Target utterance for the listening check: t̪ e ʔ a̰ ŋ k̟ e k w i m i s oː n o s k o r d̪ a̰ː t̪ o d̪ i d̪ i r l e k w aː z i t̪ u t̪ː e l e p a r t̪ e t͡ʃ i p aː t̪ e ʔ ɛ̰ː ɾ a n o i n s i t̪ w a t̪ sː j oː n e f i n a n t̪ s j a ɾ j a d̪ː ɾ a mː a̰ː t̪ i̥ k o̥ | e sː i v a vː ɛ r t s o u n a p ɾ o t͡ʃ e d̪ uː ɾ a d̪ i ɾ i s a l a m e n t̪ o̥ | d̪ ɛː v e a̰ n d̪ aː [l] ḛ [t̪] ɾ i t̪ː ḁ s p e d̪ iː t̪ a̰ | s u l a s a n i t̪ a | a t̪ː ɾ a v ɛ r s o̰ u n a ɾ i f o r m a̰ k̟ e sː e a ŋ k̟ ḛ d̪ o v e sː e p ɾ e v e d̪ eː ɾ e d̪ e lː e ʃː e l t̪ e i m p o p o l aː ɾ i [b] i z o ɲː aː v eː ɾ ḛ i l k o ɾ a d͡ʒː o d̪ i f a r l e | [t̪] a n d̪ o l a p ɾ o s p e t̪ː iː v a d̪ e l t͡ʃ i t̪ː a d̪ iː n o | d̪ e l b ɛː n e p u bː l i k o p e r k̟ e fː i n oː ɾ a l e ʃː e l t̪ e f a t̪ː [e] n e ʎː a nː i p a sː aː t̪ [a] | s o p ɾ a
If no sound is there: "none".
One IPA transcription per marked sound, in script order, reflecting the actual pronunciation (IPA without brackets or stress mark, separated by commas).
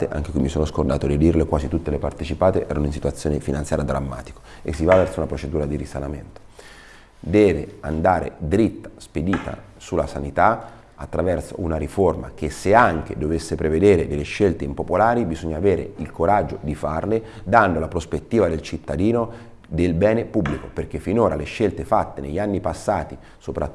ɾ, d̪, b, d̪, e, i